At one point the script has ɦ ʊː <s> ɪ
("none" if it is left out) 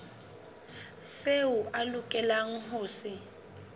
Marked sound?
s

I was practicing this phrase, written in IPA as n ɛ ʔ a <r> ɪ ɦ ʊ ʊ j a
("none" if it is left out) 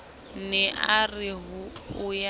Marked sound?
r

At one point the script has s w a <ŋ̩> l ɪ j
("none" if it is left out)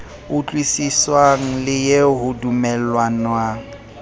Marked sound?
ŋ̩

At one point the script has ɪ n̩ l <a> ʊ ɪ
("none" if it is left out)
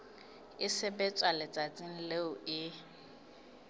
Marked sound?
e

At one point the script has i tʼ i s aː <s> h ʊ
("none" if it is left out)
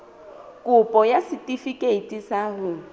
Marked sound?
none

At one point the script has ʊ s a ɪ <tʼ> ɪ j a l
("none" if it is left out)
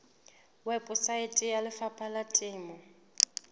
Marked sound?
tʼ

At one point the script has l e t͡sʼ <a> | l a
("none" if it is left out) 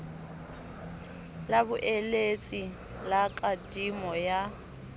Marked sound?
i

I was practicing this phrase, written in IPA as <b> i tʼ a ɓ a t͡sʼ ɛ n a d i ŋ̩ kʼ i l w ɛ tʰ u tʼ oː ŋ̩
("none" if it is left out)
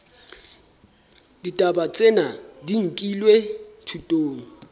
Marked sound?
d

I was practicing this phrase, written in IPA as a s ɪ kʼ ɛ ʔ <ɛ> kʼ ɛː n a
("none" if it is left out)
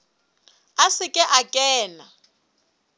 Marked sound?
a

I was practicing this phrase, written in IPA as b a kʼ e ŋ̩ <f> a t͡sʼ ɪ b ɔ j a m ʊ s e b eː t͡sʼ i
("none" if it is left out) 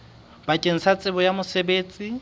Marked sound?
s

